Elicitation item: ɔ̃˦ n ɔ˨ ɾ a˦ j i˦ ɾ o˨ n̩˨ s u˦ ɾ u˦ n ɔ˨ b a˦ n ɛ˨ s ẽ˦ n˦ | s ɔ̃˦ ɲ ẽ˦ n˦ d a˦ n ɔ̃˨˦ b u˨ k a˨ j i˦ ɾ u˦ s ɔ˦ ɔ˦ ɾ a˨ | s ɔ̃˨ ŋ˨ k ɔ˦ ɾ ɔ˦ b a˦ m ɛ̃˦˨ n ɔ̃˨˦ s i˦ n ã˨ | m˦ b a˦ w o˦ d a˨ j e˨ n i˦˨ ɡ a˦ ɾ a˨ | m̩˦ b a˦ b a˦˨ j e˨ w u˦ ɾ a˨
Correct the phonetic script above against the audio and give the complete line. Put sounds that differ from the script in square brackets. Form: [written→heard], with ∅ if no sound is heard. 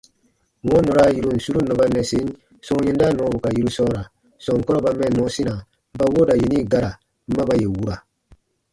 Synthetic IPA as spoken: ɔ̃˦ n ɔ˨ ɾ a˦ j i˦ ɾ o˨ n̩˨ s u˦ ɾ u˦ n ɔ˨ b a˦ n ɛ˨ s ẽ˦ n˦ | s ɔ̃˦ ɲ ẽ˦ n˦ d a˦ n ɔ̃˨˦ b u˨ k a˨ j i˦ ɾ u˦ s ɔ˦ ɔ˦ ɾ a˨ | s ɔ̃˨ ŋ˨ k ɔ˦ ɾ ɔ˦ b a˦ m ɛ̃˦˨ n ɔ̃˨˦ s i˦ n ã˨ | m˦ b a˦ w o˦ d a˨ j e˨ n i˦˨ ɡ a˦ ɾ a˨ | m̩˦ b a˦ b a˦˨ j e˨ w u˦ ɾ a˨